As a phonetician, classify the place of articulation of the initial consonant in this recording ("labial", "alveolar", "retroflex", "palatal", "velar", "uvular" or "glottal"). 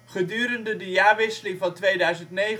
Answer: uvular